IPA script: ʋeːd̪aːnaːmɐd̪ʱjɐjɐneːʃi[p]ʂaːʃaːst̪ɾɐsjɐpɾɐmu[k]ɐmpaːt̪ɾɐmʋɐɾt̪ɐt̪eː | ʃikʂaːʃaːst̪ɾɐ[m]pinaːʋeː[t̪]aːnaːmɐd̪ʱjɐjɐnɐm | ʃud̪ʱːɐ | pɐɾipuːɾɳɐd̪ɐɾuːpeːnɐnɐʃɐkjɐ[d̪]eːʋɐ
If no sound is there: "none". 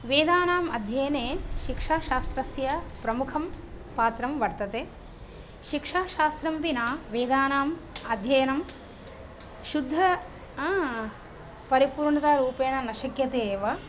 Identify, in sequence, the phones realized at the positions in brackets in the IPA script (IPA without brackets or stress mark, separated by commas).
k, kʰ, m, d̪, t̪